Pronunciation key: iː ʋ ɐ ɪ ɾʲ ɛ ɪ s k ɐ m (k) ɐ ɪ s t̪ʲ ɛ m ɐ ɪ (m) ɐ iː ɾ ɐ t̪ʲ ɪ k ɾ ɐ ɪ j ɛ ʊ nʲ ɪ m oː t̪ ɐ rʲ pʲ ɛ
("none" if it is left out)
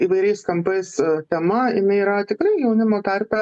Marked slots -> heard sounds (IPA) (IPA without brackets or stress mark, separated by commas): p, n